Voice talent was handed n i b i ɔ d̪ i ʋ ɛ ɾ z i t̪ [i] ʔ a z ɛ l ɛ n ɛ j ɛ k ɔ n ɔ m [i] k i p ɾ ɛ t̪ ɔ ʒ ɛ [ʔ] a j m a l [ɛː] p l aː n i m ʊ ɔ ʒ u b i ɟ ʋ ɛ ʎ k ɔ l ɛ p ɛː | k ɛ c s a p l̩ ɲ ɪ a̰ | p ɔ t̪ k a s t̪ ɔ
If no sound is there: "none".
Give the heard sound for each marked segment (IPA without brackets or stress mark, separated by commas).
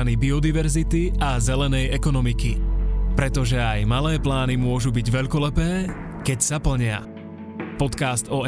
i, i, none, ɛː